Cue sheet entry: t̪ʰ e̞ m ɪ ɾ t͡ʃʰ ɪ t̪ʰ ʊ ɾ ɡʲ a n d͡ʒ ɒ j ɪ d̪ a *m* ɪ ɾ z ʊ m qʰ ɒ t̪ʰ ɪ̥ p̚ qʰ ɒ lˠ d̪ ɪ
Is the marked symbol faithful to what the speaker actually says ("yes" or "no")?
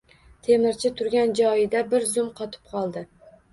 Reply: no